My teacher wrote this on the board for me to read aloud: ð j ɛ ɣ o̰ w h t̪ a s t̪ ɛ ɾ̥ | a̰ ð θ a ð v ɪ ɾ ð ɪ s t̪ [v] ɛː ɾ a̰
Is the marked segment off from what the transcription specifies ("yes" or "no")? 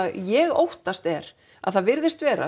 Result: no